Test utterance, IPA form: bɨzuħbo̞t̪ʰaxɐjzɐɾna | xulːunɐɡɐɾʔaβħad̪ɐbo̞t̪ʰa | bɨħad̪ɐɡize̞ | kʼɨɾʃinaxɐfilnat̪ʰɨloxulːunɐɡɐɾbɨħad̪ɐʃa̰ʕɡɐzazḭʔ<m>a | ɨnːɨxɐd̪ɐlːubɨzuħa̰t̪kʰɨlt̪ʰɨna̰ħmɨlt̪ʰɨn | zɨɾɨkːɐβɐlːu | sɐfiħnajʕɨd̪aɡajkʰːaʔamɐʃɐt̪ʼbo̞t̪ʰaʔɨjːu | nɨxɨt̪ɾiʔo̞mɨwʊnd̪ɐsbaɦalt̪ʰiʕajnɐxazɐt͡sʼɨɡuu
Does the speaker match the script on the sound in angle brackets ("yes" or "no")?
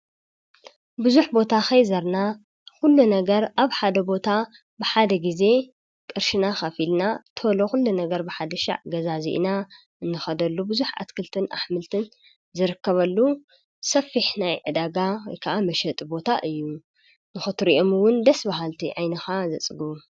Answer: no